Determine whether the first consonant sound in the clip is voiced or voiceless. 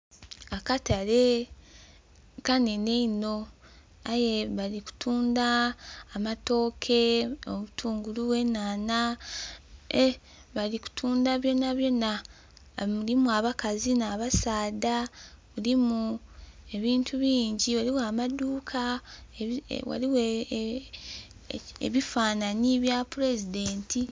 voiceless